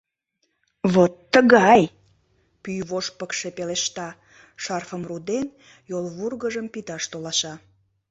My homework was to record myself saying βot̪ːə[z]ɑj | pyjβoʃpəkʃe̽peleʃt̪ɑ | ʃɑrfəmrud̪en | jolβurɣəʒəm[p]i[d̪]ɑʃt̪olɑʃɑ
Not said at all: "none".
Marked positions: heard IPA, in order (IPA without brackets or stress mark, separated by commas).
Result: ɣ, p, t̪